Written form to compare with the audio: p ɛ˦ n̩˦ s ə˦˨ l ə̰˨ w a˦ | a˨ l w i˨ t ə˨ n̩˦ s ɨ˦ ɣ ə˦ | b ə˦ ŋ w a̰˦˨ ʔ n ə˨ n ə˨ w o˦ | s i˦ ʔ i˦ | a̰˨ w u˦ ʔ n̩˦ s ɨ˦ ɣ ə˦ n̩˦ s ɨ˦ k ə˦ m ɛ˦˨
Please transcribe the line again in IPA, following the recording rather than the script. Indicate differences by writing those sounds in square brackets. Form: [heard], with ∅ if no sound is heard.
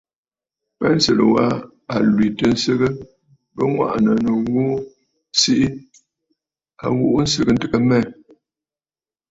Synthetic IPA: p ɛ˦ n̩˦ s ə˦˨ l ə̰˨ w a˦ | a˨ l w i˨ t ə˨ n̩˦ s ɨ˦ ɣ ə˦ | b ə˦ ŋ w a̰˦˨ ʔ n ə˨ n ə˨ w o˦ | s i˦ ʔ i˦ | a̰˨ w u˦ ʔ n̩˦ s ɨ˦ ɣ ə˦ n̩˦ [t] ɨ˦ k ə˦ m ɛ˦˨